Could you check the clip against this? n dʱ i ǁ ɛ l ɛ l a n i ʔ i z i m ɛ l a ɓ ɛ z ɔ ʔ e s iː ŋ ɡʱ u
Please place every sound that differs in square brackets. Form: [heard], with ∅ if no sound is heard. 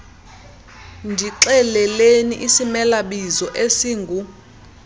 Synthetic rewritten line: n dʱ i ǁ ɛ l ɛ l [e] n i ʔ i [s] i m ɛ l a ɓ [i] z ɔ ʔ e s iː ŋ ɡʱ u